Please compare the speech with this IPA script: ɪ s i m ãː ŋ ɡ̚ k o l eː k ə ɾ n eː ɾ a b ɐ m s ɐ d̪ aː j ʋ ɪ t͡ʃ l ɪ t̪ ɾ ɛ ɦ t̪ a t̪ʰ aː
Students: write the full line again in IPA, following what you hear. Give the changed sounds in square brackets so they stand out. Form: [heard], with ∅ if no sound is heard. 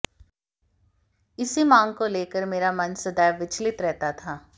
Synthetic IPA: ɪ s i m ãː ŋ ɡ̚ k o l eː k ə ɾ [m] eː ɾ a [m] ɐ [n] s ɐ d̪ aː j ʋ ɪ t͡ʃ l ɪ t̪ ɾ ɛ ɦ t̪ a t̪ʰ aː